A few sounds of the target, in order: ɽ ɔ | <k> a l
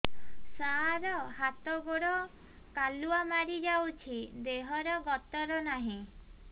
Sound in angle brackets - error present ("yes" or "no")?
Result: no